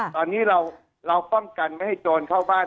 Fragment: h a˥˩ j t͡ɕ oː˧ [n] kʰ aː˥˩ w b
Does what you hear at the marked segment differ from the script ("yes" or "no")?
no